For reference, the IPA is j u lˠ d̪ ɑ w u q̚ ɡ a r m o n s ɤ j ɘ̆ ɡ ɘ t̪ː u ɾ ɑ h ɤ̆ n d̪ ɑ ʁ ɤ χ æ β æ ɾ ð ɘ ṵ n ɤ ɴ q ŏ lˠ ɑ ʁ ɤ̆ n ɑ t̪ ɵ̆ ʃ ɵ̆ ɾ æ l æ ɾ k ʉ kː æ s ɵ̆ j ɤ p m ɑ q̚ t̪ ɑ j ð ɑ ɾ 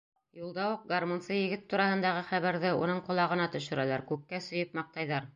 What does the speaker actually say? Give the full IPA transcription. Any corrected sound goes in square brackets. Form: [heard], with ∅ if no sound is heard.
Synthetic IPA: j u lˠ d̪ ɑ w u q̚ ɡ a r m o n s ɤ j ɘ̆ ɡ ɘ t̪ː u ɾ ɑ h ɤ̆ n d̪ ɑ ʁ ɤ χ æ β æ ɾ ð ɘ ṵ n ɤ ɴ q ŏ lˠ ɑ ʁ ɤ̆ n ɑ t̪ ɵ̆ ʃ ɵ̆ ɾ æ l æ ɾ k ʉ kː æ s ɵ̆ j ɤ p m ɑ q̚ t̪ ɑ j ð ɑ ɾ